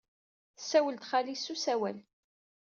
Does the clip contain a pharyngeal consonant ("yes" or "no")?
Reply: no